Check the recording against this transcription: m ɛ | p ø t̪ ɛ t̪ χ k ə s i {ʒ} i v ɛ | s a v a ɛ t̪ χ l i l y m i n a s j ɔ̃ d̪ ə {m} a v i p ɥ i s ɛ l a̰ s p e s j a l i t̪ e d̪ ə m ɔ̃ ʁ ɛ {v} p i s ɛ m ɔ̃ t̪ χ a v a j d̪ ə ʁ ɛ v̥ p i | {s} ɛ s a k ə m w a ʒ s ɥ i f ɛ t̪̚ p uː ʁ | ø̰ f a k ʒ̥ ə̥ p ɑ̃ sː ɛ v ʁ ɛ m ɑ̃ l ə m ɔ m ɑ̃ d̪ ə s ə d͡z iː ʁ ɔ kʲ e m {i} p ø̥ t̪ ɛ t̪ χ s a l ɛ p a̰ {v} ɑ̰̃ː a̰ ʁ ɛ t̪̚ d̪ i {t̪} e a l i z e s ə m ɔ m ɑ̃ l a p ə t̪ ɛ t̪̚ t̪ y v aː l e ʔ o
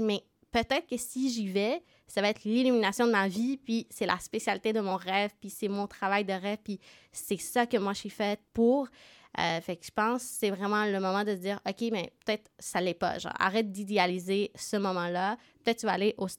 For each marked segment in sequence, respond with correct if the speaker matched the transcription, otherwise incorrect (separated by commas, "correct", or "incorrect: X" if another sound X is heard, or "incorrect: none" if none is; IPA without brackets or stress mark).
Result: correct, correct, correct, correct, incorrect: ɛ, incorrect: ʒ, incorrect: d̪